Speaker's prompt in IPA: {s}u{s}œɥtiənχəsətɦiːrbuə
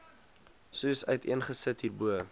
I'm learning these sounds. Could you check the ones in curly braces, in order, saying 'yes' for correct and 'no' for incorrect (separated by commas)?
yes, yes